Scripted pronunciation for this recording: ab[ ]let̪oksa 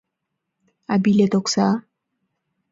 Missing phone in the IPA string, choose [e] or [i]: i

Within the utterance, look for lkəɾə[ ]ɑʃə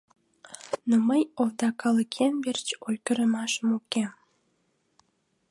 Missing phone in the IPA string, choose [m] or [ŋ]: m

